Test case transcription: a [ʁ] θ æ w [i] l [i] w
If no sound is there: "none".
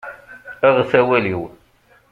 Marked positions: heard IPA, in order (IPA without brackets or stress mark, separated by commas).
ʁ, æ, i